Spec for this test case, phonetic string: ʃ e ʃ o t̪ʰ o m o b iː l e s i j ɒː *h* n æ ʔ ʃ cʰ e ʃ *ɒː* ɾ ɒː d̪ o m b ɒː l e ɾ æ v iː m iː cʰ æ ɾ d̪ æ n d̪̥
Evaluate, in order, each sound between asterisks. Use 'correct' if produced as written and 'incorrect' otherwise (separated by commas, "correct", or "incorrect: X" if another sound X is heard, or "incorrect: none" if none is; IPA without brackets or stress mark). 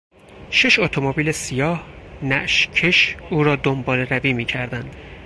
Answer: correct, incorrect: uː